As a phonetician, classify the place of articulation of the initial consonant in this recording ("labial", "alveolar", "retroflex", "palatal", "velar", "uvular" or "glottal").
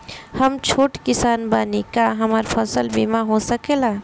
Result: glottal